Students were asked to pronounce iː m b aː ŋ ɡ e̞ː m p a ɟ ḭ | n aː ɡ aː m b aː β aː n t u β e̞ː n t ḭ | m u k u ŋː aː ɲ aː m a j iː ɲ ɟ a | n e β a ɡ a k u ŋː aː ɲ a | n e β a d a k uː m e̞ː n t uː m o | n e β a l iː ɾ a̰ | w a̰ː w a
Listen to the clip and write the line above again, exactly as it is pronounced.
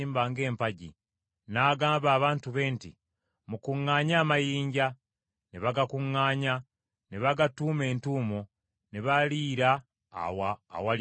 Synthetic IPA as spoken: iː m b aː ŋ ɡ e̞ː m p a ɟ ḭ | n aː ɡ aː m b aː β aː n t u β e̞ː n t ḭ | m u k u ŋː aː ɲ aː m a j iː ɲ ɟ a | n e β a ɡ a k u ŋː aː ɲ a | n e β a ɡ a t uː m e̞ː n t uː m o | n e β a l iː ɾ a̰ | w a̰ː w a